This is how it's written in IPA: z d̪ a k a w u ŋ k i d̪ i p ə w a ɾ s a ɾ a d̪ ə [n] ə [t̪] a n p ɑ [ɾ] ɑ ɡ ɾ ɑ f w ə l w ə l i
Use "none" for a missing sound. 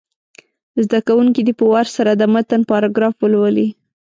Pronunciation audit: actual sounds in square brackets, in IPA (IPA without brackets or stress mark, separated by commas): m, t̪, ɾ